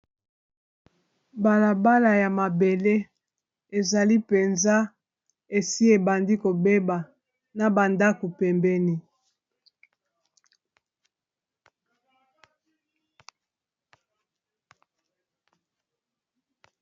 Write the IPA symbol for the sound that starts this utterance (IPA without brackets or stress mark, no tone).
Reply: b